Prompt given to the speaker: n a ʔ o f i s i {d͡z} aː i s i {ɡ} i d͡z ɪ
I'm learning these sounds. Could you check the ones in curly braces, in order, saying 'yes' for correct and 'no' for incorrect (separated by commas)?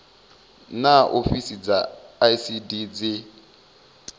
yes, no